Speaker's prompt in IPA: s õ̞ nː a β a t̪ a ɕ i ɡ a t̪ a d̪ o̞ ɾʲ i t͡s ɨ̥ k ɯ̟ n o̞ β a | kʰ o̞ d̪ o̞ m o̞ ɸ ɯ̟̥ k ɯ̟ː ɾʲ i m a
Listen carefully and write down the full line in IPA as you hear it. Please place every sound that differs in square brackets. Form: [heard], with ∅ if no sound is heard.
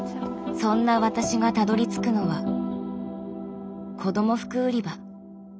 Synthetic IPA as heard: s õ̞ nː a β a t̪ a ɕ i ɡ a t̪ a d̪ o̞ ɾʲ i t͡s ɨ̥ k ɯ̟ n o̞ β a | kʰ o̞ d̪ o̞ m o̞ ɸ ɯ̟̥ k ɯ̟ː ɾʲ i [b] a